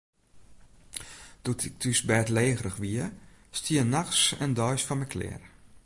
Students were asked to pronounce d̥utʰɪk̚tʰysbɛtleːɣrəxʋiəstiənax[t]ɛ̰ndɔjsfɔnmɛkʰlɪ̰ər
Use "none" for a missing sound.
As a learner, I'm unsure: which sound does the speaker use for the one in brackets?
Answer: s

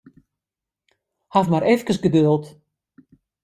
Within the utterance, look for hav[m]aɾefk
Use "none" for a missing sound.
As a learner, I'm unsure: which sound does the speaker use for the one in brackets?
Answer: m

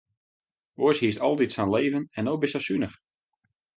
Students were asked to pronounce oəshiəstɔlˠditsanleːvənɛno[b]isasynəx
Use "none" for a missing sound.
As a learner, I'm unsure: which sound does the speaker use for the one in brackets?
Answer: b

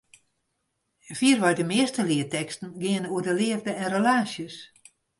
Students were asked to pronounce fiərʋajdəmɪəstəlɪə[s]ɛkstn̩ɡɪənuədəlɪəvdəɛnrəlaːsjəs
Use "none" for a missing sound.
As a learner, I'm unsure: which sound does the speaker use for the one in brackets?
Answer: t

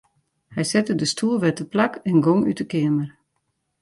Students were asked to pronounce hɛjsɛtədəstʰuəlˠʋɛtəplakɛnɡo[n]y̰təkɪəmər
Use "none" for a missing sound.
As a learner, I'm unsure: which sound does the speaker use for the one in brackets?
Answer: ŋ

